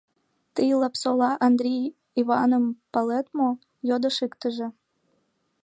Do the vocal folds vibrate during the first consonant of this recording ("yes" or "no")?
no